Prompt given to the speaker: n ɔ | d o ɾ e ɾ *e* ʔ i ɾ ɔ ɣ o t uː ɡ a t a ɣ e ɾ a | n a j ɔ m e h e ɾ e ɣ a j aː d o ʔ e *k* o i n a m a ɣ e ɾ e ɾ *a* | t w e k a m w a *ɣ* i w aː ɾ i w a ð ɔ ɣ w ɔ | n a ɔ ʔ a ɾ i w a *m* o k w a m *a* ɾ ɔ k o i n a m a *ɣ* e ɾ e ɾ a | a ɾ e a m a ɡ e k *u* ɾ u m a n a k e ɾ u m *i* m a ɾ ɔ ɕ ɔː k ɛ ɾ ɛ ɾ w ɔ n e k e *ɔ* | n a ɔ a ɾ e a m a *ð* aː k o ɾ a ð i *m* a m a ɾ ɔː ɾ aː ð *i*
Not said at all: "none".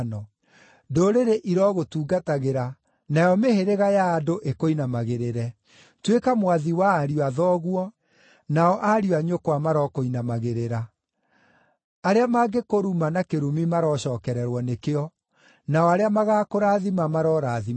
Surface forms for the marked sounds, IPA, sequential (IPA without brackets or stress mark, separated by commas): e, k, ɛ, ð, ɲ, a, ɣ, o, i, ɔ, ɣ, m, i